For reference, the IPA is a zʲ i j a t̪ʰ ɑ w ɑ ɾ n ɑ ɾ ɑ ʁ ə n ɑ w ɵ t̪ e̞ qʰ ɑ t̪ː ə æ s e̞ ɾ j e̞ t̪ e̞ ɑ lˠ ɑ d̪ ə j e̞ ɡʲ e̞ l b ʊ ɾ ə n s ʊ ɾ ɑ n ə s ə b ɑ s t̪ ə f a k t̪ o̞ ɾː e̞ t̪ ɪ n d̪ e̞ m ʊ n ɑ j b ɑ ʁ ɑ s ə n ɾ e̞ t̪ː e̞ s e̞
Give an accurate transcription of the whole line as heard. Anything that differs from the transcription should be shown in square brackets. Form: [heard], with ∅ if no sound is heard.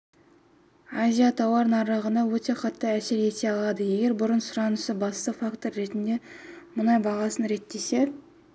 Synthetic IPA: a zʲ i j a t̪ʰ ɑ w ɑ ɾ n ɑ ɾ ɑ ʁ ə n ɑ w ɵ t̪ e̞ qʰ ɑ t̪ː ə æ s e̞ ɾ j e̞ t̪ e̞ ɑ lˠ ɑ d̪ ə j e̞ ɡʲ e̞ [ɾ] b ʊ ɾ ə n s ʊ ɾ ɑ n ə s ə b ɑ s t̪ ə f a k t̪ o̞ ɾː e̞ t̪ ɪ n d̪ e̞ m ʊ n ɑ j b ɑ ʁ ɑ s ə n ɾ e̞ t̪ː e̞ s e̞

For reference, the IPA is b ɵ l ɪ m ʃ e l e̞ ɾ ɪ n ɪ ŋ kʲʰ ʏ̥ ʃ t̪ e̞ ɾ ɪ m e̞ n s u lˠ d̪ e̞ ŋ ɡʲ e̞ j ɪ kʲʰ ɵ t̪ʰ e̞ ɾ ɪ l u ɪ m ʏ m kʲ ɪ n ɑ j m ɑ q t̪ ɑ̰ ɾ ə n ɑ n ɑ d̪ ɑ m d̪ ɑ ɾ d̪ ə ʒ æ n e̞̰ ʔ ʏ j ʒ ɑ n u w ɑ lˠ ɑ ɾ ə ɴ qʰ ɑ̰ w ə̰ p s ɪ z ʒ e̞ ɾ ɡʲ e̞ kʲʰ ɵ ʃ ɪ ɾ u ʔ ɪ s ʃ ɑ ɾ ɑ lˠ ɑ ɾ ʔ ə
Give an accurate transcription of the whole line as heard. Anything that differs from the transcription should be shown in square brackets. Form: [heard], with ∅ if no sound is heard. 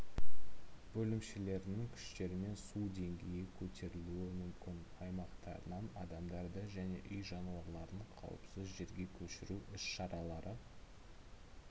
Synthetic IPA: b ɵ l ɪ m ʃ e l e̞ ɾ ɪ n ɪ ŋ kʲʰ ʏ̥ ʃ t̪ e̞ ɾ ɪ m e̞ n s u [∅] d̪ e̞ ŋ ɡʲ e̞ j ɪ kʲʰ ɵ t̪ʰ e̞ ɾ ɪ l u ɪ m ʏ m kʲ ɪ n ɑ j m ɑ q t̪ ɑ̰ ɾ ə n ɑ n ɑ d̪ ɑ m d̪ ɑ ɾ d̪ ə ʒ æ n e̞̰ ʔ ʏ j ʒ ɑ n u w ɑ lˠ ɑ ɾ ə ɴ qʰ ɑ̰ w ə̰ p s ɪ z ʒ e̞ ɾ ɡʲ e̞ kʲʰ ɵ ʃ ɪ ɾ u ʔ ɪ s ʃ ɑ ɾ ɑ lˠ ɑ ɾ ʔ ə

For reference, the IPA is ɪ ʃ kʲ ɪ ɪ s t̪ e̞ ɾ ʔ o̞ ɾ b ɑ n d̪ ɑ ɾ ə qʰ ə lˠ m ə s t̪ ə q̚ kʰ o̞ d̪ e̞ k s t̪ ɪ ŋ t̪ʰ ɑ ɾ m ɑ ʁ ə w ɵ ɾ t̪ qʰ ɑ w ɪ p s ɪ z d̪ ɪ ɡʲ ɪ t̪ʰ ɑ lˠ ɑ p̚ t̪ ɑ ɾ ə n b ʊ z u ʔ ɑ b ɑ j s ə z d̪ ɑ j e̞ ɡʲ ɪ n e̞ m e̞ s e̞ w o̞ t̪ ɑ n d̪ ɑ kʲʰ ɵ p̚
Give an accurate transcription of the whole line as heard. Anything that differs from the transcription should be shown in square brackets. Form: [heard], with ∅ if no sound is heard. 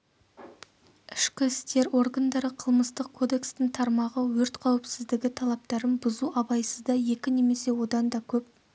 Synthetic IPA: ɪ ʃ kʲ ɪ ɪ s t̪ e̞ ɾ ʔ o̞ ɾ [ɡ] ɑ n d̪ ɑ ɾ ə qʰ ə lˠ m ə s t̪ ə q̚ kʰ o̞ d̪ e̞ k s t̪ ɪ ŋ t̪ʰ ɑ ɾ m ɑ ʁ ə w ɵ ɾ t̪ qʰ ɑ w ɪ p s ɪ z d̪ ɪ ɡʲ ɪ t̪ʰ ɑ lˠ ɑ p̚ t̪ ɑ ɾ ə n b ʊ z u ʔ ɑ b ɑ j s ə z d̪ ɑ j e̞ [kʲ] ɪ n e̞ m e̞ s e̞ w o̞ [d̪] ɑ n d̪ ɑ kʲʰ ɵ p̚

